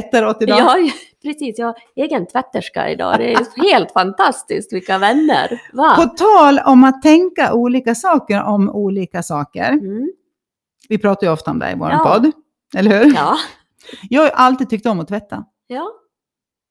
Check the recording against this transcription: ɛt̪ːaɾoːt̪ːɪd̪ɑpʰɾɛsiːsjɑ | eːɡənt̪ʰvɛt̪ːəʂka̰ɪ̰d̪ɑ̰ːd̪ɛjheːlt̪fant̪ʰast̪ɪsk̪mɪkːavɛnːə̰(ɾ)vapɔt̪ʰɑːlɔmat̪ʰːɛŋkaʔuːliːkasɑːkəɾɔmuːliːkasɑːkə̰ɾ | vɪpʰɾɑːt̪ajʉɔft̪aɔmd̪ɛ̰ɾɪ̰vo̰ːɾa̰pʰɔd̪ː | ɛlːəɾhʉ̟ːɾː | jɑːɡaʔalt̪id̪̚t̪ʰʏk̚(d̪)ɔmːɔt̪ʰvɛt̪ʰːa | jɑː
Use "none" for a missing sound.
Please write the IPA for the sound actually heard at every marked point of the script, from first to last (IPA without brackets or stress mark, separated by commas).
ɾ, t̪